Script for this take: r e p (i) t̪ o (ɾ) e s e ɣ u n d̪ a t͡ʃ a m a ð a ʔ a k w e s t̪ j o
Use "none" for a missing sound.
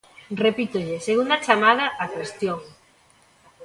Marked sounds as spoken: i, ʎ

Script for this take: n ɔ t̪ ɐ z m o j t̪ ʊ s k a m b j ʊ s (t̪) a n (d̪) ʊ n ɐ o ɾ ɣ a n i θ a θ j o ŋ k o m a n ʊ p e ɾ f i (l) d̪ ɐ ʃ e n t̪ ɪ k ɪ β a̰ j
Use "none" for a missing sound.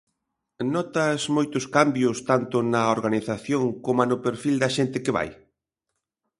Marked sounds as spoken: t̪, t̪, l

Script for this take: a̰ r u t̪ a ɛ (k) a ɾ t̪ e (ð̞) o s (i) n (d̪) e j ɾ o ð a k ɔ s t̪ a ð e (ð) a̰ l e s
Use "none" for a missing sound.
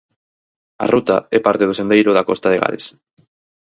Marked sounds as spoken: p, ð̞, e, d̪, ɣ

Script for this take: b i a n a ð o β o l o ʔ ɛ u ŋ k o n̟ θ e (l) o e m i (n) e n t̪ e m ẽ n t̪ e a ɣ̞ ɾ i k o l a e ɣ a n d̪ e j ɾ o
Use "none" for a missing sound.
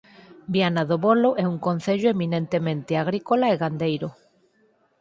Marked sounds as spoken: ʎ, n

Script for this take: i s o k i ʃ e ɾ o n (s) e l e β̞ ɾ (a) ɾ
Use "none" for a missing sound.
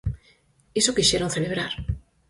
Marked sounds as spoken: θ, a

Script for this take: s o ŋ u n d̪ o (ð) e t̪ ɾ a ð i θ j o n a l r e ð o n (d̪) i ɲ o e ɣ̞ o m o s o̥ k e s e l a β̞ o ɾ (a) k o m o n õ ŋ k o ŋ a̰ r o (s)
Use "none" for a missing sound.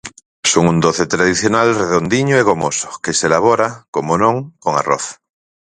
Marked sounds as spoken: θ, d̪, a, θ

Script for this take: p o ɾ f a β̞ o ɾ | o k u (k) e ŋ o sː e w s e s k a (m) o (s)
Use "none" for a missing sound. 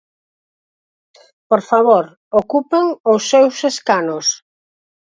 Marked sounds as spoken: p, n, s

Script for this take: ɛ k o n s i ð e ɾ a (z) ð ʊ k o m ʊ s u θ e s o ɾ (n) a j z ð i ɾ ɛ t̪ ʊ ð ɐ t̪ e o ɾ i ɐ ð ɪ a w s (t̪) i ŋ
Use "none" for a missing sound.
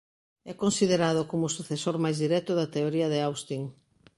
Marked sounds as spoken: none, m, t̪

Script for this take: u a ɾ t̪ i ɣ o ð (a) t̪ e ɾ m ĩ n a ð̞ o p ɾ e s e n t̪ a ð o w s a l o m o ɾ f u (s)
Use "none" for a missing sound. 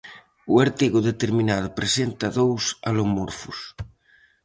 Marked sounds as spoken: e, s

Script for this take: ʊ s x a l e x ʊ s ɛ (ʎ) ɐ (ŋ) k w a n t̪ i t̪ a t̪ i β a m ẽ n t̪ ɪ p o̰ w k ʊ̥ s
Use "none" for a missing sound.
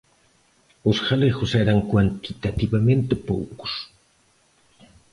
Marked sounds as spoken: ɾ, ŋ

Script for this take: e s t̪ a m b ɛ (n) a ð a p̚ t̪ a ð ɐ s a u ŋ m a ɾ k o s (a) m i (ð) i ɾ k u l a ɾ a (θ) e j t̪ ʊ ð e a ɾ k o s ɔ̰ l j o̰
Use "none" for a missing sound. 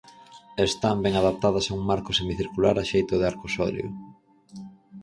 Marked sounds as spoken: ŋ, e, θ, ʃ

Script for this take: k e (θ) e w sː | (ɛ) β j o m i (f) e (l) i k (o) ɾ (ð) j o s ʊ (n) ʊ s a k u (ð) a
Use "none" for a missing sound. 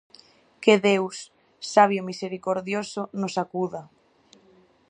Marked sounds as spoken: ð, a, s, ɾ, o, ð, n, ð

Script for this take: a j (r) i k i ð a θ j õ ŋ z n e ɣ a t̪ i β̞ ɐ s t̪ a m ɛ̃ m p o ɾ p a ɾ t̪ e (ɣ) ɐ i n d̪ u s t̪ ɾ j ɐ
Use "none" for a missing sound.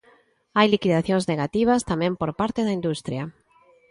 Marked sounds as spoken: l, ð

